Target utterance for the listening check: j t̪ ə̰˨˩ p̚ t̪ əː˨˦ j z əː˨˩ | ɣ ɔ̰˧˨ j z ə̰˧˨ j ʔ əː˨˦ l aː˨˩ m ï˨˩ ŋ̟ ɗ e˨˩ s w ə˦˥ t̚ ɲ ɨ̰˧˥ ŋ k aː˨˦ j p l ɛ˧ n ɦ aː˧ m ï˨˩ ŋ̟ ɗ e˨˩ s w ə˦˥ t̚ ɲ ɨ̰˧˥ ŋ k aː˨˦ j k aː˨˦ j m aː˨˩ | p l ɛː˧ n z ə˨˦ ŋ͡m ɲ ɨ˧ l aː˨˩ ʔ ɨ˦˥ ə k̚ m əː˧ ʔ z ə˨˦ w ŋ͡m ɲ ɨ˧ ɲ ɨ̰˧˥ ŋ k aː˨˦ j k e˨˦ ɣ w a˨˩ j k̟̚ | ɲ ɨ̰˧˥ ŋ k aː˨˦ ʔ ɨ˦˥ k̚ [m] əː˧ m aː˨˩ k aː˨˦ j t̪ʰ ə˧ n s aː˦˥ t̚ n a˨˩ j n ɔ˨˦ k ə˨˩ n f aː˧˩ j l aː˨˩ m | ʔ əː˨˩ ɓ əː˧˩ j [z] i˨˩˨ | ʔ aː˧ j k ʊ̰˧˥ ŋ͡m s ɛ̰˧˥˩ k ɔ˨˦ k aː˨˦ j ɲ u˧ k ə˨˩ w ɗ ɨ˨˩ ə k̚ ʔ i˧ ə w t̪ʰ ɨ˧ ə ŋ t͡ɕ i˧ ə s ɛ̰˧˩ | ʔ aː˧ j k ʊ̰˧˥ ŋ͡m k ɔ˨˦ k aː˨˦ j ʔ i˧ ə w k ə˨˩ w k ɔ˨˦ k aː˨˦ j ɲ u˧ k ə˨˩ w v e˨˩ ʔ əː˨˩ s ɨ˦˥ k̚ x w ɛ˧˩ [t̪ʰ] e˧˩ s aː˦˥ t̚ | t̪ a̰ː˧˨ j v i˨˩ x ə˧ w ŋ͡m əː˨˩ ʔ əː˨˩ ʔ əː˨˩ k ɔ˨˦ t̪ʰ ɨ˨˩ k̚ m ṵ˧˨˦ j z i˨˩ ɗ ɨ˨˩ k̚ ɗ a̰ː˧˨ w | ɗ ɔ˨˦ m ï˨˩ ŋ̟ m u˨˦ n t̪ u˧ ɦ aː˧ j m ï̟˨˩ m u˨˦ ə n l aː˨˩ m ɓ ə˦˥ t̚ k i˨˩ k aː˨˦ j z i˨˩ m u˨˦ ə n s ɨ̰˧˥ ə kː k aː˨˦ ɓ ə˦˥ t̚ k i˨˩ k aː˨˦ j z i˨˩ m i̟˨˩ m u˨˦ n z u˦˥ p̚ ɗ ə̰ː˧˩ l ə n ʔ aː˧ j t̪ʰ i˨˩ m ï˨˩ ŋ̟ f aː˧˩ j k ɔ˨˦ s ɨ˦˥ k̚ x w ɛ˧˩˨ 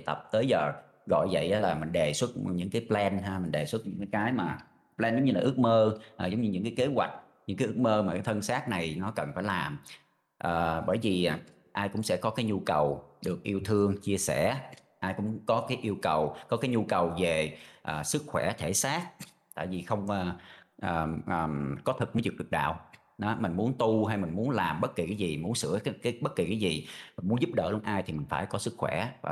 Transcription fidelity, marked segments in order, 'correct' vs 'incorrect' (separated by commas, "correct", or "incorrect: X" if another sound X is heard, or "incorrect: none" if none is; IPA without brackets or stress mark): correct, incorrect: v, correct